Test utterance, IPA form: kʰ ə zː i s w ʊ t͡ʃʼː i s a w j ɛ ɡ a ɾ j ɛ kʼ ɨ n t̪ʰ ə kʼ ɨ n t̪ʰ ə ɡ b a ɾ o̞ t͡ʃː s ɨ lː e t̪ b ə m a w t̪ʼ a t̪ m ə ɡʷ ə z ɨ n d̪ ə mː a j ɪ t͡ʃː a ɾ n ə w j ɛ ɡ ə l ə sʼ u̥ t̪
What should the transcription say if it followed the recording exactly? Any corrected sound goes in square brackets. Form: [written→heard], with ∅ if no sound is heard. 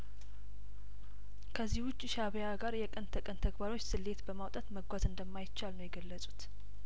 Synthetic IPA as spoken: kʰ ə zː i [s→h] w ʊ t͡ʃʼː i [s→ʃ] a [w→β] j [ɛ→a] ɡ a ɾ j ɛ kʼ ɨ n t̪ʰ ə kʼ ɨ n t̪ʰ ə ɡ b a ɾ o̞ t͡ʃː s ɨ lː e t̪ b ə m a w t̪ʼ a t̪ m ə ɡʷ [ə→a] z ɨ n d̪ ə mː a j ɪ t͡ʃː a [ɾ→l] n ə w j ɛ ɡ ə [l→lː] ə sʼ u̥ t̪